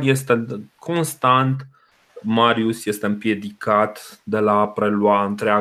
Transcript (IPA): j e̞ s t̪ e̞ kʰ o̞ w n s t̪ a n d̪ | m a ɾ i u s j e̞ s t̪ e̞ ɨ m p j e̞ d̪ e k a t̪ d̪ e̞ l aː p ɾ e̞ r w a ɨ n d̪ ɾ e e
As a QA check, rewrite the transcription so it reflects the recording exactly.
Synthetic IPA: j e̞ s t̪ e̞ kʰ o̞ n s t̪ a n t̪ | m a ɾ i u s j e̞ s t̪ e̞ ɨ m p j e̞ d̪ i k a t̪ d̪ e̞ l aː p ɾ e̞ l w a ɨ n t̪ ɾ e a